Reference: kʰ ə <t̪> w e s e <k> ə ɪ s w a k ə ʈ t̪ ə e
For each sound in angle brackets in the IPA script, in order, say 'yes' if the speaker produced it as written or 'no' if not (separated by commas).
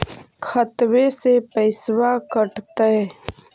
yes, no